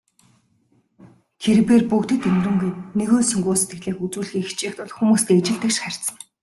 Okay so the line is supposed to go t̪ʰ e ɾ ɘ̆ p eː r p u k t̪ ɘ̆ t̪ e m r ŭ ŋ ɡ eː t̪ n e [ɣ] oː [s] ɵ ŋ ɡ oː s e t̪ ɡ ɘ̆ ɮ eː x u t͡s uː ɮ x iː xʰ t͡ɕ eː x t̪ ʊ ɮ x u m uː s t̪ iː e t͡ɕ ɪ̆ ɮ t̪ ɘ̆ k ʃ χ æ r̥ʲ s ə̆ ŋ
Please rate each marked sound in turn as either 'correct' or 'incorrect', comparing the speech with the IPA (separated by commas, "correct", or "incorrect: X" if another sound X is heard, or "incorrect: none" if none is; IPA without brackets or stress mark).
correct, correct